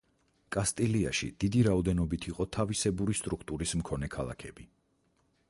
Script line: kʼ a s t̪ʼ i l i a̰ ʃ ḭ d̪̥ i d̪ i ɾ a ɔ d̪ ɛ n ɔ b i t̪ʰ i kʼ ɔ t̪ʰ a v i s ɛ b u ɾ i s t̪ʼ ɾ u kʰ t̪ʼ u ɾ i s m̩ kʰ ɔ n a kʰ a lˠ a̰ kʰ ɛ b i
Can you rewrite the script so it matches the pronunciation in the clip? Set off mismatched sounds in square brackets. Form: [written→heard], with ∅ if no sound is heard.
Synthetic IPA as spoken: kʼ a s t̪ʼ i l i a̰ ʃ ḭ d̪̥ i d̪ i ɾ a ɔ d̪ ɛ n ɔ b i t̪ʰ i [kʼ→qʼ] ɔ t̪ʰ a v i s ɛ b u ɾ i s t̪ʼ ɾ u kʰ t̪ʼ u ɾ i s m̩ kʰ ɔ n [a→ɛ] kʰ a lˠ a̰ kʰ ɛ b i